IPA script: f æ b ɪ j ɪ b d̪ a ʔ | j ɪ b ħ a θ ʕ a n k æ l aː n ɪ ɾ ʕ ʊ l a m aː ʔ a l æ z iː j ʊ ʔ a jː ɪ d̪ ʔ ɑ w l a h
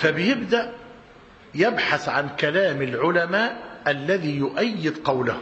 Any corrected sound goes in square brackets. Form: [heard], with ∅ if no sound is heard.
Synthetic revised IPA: f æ b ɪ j ɪ b d̪ a ʔ | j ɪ b ħ a θ ʕ a n k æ l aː [m] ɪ [l] ʕ ʊ l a m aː ʔ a [lː] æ [ð] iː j ʊ ʔ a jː ɪ d̪ [q] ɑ w l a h